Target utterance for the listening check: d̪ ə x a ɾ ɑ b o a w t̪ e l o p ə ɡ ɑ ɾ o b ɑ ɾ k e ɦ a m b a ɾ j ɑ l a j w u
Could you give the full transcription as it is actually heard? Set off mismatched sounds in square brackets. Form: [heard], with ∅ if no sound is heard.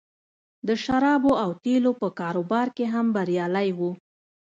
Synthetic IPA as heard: d̪ ə [ʃ] a ɾ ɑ b o a w t̪ e l o p ə [k] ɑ ɾ o b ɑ ɾ k e ɦ a m b a ɾ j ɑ l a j w u